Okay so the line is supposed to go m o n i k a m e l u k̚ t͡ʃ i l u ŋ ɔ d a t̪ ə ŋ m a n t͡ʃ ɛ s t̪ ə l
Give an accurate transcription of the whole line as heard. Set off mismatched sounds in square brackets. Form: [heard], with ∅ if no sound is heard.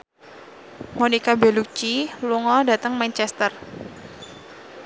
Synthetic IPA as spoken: m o n i k a [b] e l u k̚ t͡ʃ i l u ŋ ɔ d a t̪ ə ŋ m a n t͡ʃ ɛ s t̪ ə [r]